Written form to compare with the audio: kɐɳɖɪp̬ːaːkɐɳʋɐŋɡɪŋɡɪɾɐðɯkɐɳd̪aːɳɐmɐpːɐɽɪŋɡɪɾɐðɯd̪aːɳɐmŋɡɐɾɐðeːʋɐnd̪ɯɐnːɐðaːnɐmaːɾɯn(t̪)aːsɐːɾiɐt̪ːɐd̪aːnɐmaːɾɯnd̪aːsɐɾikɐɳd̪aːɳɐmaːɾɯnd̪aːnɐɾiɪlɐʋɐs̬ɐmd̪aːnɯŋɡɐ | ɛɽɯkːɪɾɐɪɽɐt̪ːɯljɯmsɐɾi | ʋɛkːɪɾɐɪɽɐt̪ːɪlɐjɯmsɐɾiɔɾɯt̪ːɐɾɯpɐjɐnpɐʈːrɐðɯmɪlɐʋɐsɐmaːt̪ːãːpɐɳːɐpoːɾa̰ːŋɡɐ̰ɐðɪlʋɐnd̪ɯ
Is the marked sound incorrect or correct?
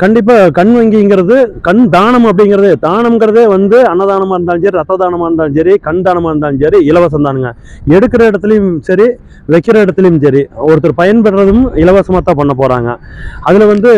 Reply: incorrect